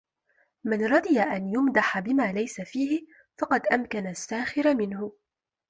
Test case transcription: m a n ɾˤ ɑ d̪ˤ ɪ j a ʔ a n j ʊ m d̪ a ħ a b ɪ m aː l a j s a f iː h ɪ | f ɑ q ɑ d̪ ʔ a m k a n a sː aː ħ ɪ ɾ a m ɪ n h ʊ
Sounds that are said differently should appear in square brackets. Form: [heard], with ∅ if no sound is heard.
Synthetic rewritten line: m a n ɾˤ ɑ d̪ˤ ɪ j a ʔ a n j ʊ m d̪ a ħ a b ɪ m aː l a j s a f iː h ɪ | f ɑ q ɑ d̪ ʔ a m k a n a sː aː [x] ɪ ɾ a m ɪ n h ʊ